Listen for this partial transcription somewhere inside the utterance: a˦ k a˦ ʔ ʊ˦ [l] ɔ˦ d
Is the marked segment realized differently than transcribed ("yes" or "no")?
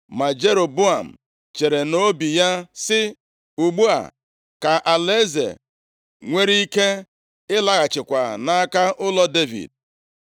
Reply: no